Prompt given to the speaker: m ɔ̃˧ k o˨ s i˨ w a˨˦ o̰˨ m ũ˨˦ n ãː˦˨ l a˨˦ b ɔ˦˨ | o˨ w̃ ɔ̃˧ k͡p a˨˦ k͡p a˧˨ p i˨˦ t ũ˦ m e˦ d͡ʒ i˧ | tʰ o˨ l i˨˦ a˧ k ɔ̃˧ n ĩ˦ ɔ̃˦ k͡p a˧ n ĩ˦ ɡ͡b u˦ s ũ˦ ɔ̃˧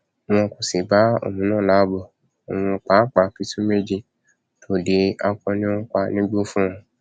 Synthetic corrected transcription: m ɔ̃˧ k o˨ s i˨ b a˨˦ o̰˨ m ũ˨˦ n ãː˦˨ l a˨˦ b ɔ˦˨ | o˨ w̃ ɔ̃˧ k͡p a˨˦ k͡p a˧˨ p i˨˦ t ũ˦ m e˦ d͡ʒ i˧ | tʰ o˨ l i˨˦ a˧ k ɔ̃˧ n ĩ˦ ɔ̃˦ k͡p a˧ n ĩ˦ ɡ͡b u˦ f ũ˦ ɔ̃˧